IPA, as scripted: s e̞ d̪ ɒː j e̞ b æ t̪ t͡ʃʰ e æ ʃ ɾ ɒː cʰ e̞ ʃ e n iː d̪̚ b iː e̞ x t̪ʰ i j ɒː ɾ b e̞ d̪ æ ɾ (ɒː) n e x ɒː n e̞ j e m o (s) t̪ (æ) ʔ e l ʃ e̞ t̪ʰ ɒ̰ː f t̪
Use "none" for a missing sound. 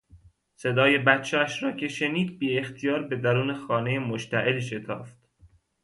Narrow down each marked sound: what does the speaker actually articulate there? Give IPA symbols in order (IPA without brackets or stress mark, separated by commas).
uː, ʃ, æ